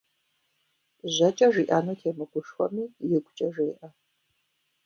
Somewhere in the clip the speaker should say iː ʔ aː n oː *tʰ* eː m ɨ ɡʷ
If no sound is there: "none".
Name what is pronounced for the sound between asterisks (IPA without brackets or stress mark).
tʰ